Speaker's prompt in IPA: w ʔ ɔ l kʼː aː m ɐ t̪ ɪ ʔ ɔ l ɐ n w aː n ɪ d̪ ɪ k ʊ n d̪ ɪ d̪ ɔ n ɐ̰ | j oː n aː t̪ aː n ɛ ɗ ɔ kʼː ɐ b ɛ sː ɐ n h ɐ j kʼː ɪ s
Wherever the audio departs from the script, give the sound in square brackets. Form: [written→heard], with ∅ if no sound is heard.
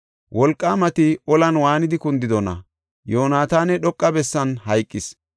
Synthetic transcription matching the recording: w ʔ ɔ l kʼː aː m ɐ t̪ ɪ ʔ ɔ l ɐ n w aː n ɪ d̪ ɪ k ʊ n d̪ ɪ d̪ ɔ n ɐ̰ | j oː n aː t̪ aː n ɛ ɗ ɔ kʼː ɐ b ɛ sː ɐ n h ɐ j kʼː ɪ s